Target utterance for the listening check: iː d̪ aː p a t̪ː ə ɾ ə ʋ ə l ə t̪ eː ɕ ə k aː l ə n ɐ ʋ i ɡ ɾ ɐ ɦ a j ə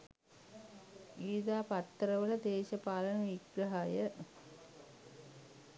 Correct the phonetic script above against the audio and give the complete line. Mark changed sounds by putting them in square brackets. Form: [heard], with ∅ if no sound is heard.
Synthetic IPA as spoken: iː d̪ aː p a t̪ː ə ɾ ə ʋ ə l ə [d̪] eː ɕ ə [p] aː l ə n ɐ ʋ i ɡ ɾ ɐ ɦ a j ə